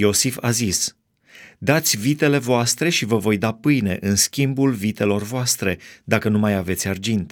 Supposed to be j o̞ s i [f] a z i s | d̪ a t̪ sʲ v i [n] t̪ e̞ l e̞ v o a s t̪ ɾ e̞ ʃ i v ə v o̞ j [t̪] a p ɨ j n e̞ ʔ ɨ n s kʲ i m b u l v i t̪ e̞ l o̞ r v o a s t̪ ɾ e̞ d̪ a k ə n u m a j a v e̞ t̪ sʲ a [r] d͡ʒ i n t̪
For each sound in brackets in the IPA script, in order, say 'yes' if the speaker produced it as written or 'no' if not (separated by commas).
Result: yes, no, no, yes